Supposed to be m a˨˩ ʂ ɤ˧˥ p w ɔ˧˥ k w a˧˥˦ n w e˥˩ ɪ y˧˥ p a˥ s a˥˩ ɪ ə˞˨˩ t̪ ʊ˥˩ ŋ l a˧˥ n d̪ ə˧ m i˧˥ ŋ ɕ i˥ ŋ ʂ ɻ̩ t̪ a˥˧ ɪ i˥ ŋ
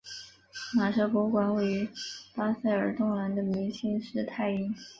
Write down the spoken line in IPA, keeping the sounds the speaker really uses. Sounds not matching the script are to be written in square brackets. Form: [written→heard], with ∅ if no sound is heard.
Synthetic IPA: m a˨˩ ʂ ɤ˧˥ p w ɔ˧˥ k w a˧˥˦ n w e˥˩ ɪ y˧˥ p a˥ s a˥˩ ɪ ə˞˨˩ t̪ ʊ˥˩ ŋ l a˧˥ n d̪ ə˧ m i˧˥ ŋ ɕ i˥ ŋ ʂ ɻ̩ [t̪→t̪ʰ] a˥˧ ɪ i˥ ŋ

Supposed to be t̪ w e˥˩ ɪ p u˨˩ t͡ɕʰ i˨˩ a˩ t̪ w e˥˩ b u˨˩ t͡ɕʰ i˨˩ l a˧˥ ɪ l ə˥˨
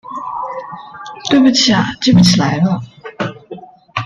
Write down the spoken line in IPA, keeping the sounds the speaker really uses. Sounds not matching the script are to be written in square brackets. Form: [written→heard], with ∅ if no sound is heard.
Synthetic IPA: t̪ w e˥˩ ɪ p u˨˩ t͡ɕʰ i˨˩ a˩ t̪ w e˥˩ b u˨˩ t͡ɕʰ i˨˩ l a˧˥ ɪ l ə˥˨

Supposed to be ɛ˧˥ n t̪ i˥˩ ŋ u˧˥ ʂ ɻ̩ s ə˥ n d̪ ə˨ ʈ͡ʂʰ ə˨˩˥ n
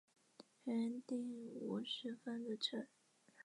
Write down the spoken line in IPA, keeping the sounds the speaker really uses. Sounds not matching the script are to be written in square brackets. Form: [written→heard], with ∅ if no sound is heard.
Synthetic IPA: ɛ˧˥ n t̪ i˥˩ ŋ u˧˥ ʂ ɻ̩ [s→f] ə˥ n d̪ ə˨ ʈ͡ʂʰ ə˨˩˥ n

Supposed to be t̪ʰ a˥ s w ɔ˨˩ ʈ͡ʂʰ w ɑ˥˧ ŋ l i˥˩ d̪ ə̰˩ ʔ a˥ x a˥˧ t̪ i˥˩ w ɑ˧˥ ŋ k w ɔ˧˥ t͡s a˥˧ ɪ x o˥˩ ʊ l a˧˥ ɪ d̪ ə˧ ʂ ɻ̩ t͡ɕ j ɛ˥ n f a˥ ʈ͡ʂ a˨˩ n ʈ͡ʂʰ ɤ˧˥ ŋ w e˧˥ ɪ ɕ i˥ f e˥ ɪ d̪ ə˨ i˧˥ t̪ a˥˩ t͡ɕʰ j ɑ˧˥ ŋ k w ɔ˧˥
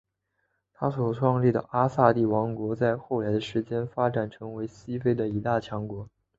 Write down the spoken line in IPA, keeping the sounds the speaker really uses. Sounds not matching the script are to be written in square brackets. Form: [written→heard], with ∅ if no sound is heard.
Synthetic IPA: t̪ʰ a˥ s w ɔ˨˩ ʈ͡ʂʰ w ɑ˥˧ ŋ l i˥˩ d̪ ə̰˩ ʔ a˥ [x→s] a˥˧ t̪ i˥˩ w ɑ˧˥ ŋ k w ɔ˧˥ t͡s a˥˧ ɪ x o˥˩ ʊ l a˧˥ ɪ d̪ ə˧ ʂ ɻ̩ t͡ɕ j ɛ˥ n f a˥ ʈ͡ʂ a˨˩ n ʈ͡ʂʰ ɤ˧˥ ŋ w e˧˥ ɪ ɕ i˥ f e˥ ɪ d̪ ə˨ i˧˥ t̪ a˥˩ t͡ɕʰ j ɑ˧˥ ŋ k w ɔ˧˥

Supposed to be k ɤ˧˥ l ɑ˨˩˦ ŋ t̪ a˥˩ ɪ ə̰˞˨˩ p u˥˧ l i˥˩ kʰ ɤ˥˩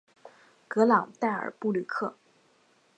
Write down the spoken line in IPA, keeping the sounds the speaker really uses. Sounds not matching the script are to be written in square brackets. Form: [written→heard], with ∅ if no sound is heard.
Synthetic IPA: k ɤ˧˥ l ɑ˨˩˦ ŋ t̪ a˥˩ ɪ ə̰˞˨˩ p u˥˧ l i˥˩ kʰ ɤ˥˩

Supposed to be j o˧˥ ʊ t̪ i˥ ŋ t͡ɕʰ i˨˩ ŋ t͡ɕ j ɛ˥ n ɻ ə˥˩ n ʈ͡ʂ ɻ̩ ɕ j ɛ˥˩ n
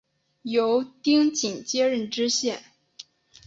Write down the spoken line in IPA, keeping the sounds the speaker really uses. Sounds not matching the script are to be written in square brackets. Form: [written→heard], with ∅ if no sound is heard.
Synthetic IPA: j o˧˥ ʊ t̪ i˥ ŋ [t͡ɕʰ→t͡ɕ] i˨˩ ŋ t͡ɕ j ɛ˥ [n→∅] ɻ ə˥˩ n ʈ͡ʂ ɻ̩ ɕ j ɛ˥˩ n

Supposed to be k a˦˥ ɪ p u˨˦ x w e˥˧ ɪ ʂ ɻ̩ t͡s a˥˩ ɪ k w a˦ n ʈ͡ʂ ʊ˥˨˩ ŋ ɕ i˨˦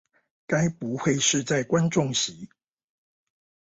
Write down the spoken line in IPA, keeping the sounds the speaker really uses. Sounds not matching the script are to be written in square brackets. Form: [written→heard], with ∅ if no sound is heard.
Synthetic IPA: k a˦˥ ɪ p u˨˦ x w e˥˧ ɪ ʂ ɻ̩ t͡s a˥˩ ɪ k w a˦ n ʈ͡ʂ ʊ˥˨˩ ŋ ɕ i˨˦

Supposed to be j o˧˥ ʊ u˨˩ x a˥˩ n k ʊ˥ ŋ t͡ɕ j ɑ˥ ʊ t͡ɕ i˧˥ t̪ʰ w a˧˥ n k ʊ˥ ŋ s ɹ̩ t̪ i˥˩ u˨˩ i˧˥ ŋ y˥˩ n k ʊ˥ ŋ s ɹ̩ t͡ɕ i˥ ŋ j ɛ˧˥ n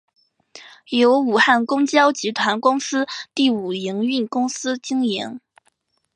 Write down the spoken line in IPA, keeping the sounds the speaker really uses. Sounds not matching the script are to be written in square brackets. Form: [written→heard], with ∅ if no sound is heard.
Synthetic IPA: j o˧˥ ʊ u˨˩ x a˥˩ n k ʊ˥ ŋ t͡ɕ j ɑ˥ ʊ t͡ɕ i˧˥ t̪ʰ w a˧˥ n k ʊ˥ ŋ s ɹ̩ t̪ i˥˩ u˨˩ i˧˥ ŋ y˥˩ n k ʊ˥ ŋ s ɹ̩ t͡ɕ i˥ ŋ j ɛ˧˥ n

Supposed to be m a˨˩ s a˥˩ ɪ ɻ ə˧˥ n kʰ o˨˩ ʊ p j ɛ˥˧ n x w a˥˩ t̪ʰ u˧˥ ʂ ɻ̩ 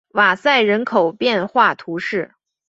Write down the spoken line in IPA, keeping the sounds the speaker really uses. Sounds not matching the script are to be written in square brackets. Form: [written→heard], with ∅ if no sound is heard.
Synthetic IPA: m a˨˩ s a˥˩ ɪ ɻ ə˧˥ n kʰ o˨˩ ʊ p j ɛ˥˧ n x w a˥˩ t̪ʰ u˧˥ ʂ ɻ̩

